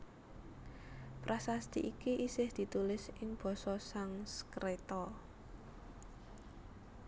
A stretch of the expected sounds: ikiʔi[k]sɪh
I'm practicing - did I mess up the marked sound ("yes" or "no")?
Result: yes